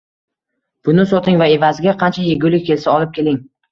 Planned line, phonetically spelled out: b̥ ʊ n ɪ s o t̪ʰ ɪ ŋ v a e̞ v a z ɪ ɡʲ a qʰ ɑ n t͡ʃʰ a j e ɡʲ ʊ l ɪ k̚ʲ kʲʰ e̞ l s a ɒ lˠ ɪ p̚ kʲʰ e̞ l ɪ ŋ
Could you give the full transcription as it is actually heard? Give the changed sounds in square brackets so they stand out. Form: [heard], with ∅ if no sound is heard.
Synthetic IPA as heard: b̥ ʊ n ɪ s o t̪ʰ ɪ ŋ v a e̞ v a z ɪ ɡʲ a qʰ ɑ n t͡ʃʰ a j e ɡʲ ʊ l ɪ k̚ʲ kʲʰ e̞ l s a ɒ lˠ ɪ p̚ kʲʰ e̞ l ɪ ŋ